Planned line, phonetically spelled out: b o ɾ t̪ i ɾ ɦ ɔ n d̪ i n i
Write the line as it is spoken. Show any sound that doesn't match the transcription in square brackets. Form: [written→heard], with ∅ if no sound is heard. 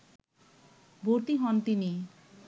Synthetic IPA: b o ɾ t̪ i [ɾ→∅] ɦ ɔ n [d̪→t̪] i n i